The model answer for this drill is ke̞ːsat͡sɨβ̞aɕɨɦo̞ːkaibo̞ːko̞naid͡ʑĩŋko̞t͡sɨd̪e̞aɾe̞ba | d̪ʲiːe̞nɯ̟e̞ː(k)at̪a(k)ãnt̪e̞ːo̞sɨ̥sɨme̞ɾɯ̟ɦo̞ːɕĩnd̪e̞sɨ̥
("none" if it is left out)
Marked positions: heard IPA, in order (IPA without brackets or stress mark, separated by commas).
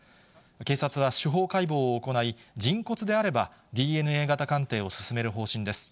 ɡ, k